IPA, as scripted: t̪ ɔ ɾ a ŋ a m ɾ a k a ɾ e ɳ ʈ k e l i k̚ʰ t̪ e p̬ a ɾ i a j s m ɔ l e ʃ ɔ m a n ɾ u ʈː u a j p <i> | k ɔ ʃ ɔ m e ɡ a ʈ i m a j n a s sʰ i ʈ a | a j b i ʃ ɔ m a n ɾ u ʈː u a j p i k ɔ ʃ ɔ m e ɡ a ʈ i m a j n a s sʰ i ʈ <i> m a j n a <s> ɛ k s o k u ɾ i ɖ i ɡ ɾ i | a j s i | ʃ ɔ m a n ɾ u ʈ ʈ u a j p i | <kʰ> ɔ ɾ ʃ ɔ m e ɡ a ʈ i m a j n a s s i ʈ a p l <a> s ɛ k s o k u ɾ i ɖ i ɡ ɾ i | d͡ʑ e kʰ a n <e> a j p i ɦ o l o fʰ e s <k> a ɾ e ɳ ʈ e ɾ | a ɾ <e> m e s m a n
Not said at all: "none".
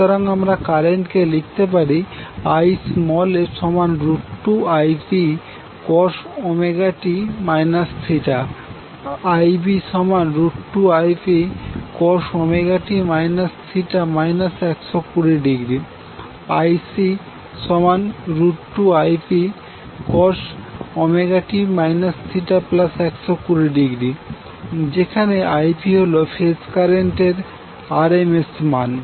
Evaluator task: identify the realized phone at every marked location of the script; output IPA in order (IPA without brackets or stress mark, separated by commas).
i, a, s, k, a, e, k, e